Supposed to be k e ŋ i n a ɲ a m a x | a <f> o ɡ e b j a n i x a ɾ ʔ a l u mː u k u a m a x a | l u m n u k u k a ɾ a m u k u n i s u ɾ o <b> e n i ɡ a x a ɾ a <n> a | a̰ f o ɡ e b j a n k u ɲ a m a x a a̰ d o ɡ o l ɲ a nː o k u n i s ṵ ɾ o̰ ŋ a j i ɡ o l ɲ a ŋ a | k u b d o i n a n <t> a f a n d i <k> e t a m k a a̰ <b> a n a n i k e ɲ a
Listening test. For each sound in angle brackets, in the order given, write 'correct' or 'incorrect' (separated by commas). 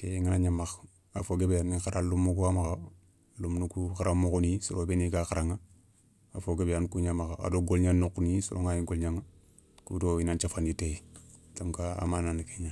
correct, correct, incorrect, incorrect, incorrect, incorrect